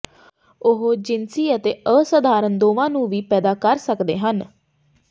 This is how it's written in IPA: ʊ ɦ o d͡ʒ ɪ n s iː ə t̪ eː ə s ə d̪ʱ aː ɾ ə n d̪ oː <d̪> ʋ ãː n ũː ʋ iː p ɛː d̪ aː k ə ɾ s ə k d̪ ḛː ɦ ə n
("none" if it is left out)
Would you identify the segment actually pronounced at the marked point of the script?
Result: none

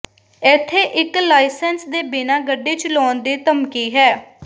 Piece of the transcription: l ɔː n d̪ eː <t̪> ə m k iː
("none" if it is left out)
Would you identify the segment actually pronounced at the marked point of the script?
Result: t̪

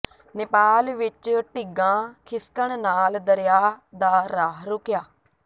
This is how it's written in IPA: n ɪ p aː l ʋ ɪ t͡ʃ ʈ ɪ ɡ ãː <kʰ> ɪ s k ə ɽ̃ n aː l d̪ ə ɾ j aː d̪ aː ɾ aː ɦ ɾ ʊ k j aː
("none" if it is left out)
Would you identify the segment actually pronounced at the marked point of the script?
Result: kʰ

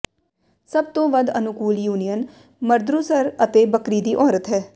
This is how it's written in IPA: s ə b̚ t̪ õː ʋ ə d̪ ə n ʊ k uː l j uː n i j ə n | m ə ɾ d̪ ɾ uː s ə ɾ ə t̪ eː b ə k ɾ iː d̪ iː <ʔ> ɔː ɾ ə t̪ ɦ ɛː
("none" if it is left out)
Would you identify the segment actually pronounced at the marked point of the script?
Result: ʔ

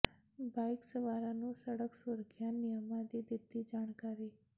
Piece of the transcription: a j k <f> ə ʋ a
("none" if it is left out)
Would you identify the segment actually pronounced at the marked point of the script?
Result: s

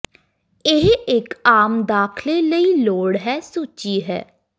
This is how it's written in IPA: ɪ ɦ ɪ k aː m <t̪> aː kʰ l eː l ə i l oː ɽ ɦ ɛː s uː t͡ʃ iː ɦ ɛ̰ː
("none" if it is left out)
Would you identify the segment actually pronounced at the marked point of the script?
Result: d̪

